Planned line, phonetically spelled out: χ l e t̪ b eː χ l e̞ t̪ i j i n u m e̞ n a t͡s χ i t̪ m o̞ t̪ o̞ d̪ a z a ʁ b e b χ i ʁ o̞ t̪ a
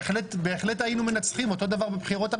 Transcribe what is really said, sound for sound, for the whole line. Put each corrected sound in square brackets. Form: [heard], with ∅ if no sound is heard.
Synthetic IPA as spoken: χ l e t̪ b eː χ l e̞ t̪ [a] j i n u m e̞ n a t͡s χ i [∅] m o̞ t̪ o̞ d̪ a [v] a ʁ b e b χ i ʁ o̞ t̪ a